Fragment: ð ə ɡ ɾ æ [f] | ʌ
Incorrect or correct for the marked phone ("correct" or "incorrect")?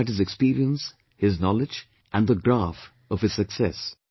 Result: correct